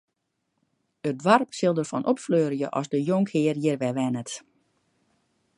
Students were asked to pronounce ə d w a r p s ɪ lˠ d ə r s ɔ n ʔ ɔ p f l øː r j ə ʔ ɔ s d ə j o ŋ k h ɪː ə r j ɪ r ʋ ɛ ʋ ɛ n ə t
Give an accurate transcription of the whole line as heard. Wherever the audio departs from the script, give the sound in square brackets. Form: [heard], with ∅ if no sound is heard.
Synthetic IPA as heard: ə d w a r p s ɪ lˠ d ə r [f] ɔ n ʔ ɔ p f l øː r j ə ʔ ɔ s d ə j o ŋ k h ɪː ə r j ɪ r ʋ ɛ ʋ ɛ n ə t